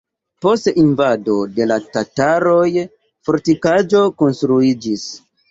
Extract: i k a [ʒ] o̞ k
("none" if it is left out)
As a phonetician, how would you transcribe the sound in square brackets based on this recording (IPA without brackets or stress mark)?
d͡ʒ